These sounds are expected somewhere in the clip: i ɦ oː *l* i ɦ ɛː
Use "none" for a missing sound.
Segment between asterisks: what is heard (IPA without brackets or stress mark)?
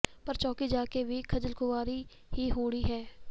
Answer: ɽ